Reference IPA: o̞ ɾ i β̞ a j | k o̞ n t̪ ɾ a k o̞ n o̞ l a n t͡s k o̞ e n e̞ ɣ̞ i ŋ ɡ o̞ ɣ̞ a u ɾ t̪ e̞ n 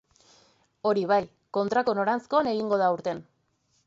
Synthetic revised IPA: o̞ ɾ i β̞ a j | k o̞ n t̪ ɾ a k o̞ n o̞ ɾ a n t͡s k o̞ a n e̞ ɣ̞ i ŋ ɡ o̞ ð̞ a u ɾ t̪ e̞ n

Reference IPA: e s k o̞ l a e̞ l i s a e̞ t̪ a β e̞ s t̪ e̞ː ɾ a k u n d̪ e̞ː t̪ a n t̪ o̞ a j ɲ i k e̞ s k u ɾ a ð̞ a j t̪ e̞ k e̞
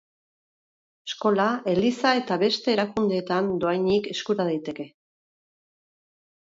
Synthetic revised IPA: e s k o̞ l a e̞ l i s a e̞ t̪ a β e̞ s t̪ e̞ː ɾ a k u n d̪ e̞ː t̪ a n d̪ o̞ a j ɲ i k e̞ s k u ɾ a ð̞ a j t̪ e̞ k e̞

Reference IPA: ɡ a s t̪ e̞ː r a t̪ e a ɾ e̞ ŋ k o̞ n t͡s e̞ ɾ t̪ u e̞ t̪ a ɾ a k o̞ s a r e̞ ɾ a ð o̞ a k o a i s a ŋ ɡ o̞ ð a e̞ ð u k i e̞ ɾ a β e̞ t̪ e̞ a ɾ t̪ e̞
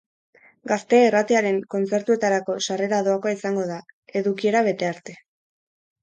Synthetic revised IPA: ɡ a s t̪ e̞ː r a t̪ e a ɾ e̞ ŋ k o̞ n t͡s e̞ ɾ t̪ u e̞ t̪ a ɾ a k o̞ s a r e̞ ɾ a ð o̞ a k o a i s a ŋ ɡ o̞ ð a e̞ ð u k i e̞ ɾ a β e̞ t̪ e̞ a ɾ t̪ e̞

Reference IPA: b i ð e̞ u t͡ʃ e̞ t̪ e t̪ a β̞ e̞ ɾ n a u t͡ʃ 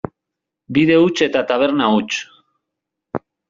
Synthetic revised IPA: b i ð e̞ u t͡ʃ e̞ t̪ a t̪ a β̞ e̞ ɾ n a u t͡ʃ

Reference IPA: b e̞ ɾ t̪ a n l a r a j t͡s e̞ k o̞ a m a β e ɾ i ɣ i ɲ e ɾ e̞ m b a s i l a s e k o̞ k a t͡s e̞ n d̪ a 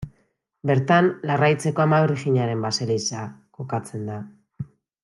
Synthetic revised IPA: b e̞ ɾ t̪ a n l a r a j t͡s e̞ k o̞ a m a β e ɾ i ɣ i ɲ a ɾ e̞ m b a s e l i s a k o̞ k a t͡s e̞ n d̪ a

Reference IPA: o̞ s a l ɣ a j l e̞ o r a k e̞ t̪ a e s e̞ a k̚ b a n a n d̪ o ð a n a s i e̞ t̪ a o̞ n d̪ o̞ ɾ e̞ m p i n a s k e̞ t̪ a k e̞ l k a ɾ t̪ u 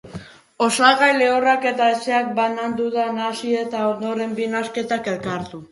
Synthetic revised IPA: o̞ s a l ɣ a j l e̞ o r a k e̞ t̪ a e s e̞ a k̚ b a n a n d̪ u ð a n a s i e̞ t̪ a o̞ n d̪ o̞ ɾ e̞ m b i n a s k e̞ t̪ a k e̞ l k a ɾ t̪ u

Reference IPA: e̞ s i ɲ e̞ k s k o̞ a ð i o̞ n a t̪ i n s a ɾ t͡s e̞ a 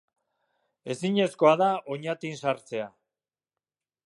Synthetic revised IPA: e̞ s i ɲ e̞ s k o̞ a ð a o̞ ɲ a t̪ i n s a ɾ t͡s e̞ a

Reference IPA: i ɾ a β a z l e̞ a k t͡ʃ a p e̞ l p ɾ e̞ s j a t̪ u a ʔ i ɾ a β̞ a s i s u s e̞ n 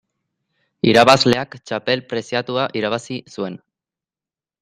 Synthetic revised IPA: i ɾ a β a z l e̞ a k t͡ʃ a p e̞ l p ɾ e̞ s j a t̪ u a ʔ i ɾ a β̞ a s i s u e̞ n

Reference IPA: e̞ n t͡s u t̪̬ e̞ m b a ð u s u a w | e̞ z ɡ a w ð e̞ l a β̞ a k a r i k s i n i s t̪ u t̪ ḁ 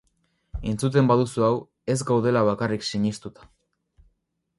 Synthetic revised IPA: e̞ n t͡s u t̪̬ e̞ m b a ð u s u a w | e̞ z ɡ a w ð e̞ l a β̞ a k a r i k s i ɲ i s t̪ u t̪ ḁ

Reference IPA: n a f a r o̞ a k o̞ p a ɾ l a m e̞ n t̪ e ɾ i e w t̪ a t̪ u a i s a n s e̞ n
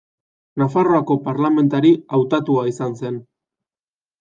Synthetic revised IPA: n a f a r o̞ a k o̞ p a ɾ l a m e̞ n t̪ a ɾ i a w t̪ a t̪ u a i s a n s e̞ n

